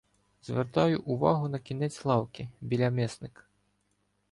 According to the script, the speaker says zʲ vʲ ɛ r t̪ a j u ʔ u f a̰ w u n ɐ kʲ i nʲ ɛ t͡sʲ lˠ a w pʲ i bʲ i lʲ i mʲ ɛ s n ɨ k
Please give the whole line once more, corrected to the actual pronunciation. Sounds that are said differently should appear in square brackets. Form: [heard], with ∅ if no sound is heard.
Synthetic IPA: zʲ vʲ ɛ r t̪ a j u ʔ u [v] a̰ [ɣ] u n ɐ kʲ i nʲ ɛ t͡sʲ lˠ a w [kʲ] i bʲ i lʲ [a] mʲ ɛ s n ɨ k